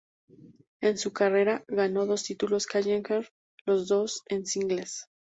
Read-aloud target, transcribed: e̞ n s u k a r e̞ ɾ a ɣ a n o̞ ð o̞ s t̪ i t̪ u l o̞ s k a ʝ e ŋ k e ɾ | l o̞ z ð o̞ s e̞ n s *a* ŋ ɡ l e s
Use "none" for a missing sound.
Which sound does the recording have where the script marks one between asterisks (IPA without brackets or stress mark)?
i